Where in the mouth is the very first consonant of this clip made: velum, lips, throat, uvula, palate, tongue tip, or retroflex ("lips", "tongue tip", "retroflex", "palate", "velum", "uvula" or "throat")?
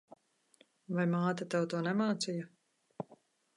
lips